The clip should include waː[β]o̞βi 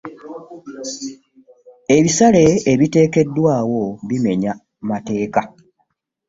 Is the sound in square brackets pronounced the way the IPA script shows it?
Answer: no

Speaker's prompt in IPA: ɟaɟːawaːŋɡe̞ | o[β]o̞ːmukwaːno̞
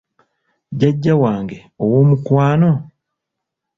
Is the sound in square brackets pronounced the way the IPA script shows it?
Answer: no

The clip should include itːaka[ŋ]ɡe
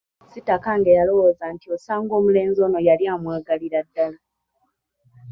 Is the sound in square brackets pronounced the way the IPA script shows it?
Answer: yes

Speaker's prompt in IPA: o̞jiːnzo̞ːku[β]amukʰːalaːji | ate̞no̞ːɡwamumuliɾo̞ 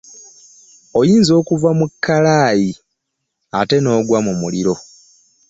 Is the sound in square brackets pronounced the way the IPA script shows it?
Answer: no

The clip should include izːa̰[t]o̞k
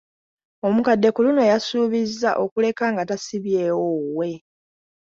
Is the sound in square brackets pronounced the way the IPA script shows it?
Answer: no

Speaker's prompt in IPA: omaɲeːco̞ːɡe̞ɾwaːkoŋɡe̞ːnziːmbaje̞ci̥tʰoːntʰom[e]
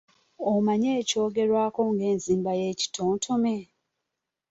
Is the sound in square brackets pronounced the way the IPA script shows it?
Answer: yes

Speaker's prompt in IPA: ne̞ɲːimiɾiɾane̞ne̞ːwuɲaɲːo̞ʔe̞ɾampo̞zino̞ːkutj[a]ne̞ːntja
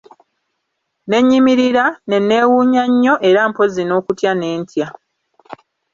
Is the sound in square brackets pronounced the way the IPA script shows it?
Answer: yes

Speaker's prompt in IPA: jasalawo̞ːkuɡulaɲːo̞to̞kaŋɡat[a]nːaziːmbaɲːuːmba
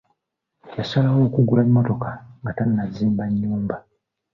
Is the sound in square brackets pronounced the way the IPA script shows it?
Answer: yes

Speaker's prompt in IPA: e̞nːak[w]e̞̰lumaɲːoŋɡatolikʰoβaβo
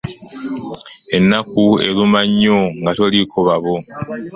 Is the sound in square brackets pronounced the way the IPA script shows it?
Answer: no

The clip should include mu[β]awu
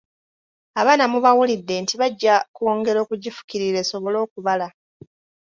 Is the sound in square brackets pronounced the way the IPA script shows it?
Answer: yes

